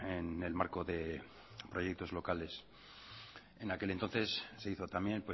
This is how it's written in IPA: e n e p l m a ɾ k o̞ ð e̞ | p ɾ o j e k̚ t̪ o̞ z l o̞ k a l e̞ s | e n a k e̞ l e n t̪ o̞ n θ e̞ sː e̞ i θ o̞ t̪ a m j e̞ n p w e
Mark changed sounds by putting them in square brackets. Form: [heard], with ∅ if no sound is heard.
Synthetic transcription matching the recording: e n e [∅] l m a ɾ k o̞ ð e̞ | p ɾ o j e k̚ t̪ o̞ z l o̞ k a l e̞ s | e n a k e̞ l e n t̪ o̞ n θ e̞ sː e̞ i θ o̞ t̪ a m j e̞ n p w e

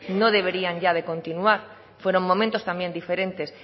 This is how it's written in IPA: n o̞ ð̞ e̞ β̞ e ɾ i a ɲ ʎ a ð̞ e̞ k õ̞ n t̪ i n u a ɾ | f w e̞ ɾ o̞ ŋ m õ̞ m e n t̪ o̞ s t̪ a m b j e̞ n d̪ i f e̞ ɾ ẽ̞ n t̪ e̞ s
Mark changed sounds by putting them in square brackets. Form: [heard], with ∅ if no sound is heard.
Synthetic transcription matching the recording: n o̞ ð̞ e̞ β̞ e ɾ i a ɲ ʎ a ð̞ e̞ k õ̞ n t̪ i n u a ɾ | f w e̞ ɾ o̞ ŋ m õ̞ m [ẽ] n t̪ o̞ s t̪ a m b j e̞ n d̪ i f e̞ ɾ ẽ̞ n t̪ e̞ s

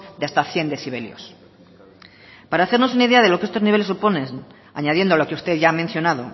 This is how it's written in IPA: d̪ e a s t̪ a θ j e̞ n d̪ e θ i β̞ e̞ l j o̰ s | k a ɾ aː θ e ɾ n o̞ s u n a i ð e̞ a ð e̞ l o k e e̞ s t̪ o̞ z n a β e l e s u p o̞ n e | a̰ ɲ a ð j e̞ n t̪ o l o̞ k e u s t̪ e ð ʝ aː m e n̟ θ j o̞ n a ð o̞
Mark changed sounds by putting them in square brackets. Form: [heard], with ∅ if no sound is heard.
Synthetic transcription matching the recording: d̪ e a s t̪ a θ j e̞ n d̪ e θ i β̞ e̞ l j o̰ s | [p] a ɾ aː θ e ɾ n o̞ s u n a i ð e̞ a ð e̞ l o k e e̞ s t̪ o̞ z n [i] β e l e s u p o̞ n e | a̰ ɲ a ð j e̞ n [d̪] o l o̞ k e u s t̪ e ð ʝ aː m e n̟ θ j o̞ n a ð o̞

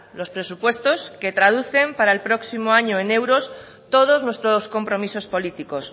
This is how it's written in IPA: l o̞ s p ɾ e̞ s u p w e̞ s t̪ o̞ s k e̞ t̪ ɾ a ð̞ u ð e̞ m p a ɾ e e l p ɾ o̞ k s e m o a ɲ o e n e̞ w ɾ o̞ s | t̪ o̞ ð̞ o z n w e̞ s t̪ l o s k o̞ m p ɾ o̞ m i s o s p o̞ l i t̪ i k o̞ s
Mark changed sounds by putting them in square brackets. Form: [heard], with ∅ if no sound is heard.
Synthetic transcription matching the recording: l o̞ s p ɾ e̞ s u p w e̞ s t̪ o̞ s k e̞ t̪ ɾ a ð̞ u [θ] e̞ m p a ɾ [a] e l p ɾ o̞ k s [i] m o a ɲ o e n e̞ w ɾ o̞ s | t̪ o̞ ð̞ o z n w e̞ s t̪ [ɾ] o s k o̞ m p ɾ o̞ m i s o s p o̞ l i t̪ i k o̞ s

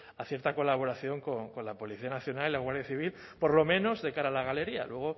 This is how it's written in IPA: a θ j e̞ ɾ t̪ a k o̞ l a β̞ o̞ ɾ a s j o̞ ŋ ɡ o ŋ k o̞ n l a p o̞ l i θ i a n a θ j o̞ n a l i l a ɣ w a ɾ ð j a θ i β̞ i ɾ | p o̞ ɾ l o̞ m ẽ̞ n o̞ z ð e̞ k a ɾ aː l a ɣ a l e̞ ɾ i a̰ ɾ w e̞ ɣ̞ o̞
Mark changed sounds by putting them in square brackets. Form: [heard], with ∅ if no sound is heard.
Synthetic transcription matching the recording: a θ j e̞ ɾ t̪ a k o̞ l a β̞ o̞ ɾ a [θ] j o̞ ŋ [k] o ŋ k o̞ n l a p o̞ l i θ i a n a θ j o̞ n a l i l a ɣ w a ɾ ð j a θ i β̞ i [l] | p o̞ ɾ l o̞ m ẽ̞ n o̞ z ð e̞ k a ɾ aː l a ɣ a l e̞ ɾ i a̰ [l] w e̞ ɣ̞ o̞

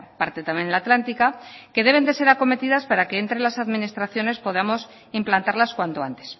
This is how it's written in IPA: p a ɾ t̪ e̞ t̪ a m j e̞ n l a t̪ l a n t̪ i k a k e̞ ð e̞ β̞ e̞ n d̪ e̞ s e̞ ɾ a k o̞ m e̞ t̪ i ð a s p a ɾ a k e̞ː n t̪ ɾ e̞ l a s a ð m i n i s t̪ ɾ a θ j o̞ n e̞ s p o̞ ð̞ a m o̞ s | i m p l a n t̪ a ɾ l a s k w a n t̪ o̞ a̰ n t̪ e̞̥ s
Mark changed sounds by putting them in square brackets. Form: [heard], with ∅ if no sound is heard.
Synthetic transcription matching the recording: p a ɾ t̪ e̞ t̪ a m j e̞ n l a t̪ l a n t̪ i k a k e̞ ð e̞ β̞ e̞ n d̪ e̞ s e̞ ɾ a k o̞ m e̞ t̪ i ð a s p a ɾ a k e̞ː n t̪ ɾ e̞ l a s a ð m i n i s t̪ ɾ a θ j o̞ n e̞ s p o̞ ð̞ a m o̞ s | i m p l a n t̪ a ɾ l a s k w a n t̪ o̞ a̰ n t̪ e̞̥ s

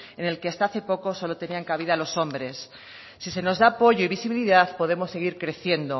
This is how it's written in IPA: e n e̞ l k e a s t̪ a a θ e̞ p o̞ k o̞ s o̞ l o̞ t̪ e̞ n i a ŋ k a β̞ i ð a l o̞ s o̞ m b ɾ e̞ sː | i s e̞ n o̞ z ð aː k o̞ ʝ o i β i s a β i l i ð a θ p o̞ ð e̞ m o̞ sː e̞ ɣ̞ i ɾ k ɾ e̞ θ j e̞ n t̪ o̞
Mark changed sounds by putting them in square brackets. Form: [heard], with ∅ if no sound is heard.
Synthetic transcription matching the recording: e n e̞ l k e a s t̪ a a θ e̞ p o̞ k o̞ s o̞ l o̞ t̪ e̞ n i a ŋ k a β̞ i ð a l o̞ s o̞ m b ɾ e̞ sː | i s e̞ n o̞ z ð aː [p] o̞ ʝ o i β i s [i] β i l i ð a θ p o̞ ð e̞ m o̞ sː e̞ ɣ̞ i ɾ k ɾ e̞ θ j e̞ n [d̪] o̞

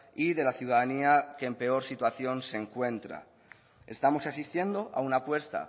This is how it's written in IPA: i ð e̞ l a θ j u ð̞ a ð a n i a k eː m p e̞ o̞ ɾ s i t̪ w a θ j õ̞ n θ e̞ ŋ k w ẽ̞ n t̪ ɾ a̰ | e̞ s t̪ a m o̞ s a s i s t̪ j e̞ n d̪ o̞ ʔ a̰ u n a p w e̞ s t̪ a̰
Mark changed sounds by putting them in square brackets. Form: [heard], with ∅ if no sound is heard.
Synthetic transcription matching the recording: i ð e̞ l a θ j u ð̞ a ð a n i a k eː m p e̞ o̞ ɾ s i t̪ w a θ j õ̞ n [s] e̞ ŋ k w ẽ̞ n t̪ ɾ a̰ | e̞ s t̪ a m o̞ s a s i s t̪ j e̞ n d̪ o̞ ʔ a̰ u n a p w e̞ s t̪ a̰

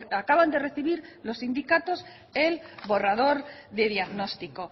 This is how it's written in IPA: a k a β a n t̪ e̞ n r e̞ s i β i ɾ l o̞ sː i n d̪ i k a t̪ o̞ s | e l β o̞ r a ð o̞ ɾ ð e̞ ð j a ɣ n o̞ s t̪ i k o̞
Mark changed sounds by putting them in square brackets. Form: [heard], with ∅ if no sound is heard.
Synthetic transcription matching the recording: a k a β a n [d̪] e̞ [∅] r e̞ [θ] i β i ɾ l o̞ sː i n d̪ i k a t̪ o̞ s | e l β o̞ r a ð o̞ ɾ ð e̞ ð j a ɣ n o̞ s t̪ i k o̞

